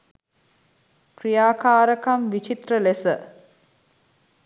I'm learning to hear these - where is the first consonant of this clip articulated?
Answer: velum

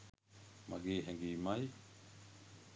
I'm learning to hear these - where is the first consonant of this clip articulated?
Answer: lips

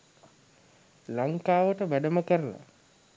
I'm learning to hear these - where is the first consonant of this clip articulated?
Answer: tongue tip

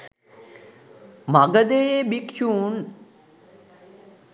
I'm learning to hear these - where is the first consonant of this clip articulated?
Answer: lips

